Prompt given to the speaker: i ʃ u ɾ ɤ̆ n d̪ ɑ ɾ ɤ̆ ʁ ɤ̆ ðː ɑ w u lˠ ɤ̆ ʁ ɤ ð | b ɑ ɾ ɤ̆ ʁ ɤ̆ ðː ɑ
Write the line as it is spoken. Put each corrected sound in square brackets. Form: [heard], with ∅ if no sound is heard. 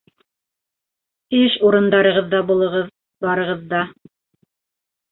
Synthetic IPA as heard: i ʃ u ɾ ɤ̆ n d̪ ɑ ɾ ɤ̆ ʁ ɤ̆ ðː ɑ [b] u lˠ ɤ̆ ʁ ɤ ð | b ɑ ɾ ɤ̆ ʁ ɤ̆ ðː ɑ

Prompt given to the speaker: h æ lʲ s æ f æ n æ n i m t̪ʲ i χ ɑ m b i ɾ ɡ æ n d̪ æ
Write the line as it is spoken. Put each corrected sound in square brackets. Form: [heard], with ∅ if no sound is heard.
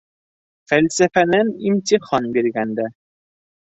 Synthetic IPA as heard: [f] æ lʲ s æ f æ n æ n i m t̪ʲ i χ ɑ [n] b i ɾ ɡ æ n d̪ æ

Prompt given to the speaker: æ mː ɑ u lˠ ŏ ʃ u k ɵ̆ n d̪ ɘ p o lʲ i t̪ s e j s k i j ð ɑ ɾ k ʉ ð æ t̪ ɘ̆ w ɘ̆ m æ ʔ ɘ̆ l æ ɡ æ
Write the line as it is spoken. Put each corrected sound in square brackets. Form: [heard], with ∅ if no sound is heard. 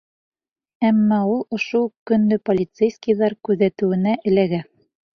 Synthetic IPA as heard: æ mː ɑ u lˠ ŏ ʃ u k ɵ̆ n d̪ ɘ p o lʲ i t̪ s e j s k i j ð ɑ ɾ k ʉ ð æ t̪ ɘ̆ w ɘ̆ [n] æ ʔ ɘ̆ l æ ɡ æ

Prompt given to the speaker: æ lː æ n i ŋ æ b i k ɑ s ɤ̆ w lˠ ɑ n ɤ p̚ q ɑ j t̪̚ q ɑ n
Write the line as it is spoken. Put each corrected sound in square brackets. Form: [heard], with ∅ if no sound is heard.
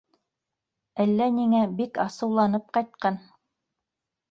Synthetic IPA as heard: æ lː æ n i ŋ æ b i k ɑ s ɤ̆ w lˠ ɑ n ɤ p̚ q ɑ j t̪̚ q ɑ n

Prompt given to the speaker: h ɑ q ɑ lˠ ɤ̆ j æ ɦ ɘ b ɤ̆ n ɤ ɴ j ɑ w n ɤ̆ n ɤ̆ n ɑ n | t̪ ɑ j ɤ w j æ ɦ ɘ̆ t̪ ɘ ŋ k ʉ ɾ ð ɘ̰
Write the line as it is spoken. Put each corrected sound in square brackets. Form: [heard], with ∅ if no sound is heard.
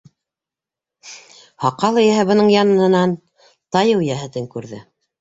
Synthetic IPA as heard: h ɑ q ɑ lˠ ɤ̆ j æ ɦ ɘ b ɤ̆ n ɤ ɴ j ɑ [∅] n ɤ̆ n ɤ̆ n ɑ n | t̪ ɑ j ɤ w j æ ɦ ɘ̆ t̪ ɘ ŋ k ʉ ɾ ð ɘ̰

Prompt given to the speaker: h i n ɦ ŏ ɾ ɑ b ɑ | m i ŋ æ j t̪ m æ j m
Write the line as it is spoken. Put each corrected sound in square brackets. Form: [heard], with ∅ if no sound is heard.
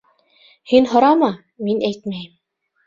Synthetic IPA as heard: h i n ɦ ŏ ɾ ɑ [m] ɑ | m i [n] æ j t̪ m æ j m

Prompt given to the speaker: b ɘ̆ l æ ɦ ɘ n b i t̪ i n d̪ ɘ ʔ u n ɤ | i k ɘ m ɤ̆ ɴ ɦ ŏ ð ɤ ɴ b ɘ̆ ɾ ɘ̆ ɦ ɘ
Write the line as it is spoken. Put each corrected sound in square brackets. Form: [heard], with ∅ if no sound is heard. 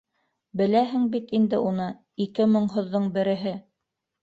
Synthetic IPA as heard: b ɘ̆ l æ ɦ ɘ [ŋ] b i t̪ i n d̪ ɘ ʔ u n ɤ | i k ɘ m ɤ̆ ɴ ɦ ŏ [ðː] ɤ ɴ b ɘ̆ ɾ ɘ̆ ɦ ɘ

